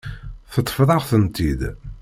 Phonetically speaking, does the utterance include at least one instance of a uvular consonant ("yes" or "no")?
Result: yes